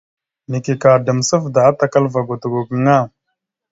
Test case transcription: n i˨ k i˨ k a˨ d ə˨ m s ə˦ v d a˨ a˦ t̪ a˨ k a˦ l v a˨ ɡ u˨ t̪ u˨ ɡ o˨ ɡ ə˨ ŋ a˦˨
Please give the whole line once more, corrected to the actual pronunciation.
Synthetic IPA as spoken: n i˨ k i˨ k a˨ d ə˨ m s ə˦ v d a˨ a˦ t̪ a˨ k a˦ l v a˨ ɡ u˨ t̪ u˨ ɡ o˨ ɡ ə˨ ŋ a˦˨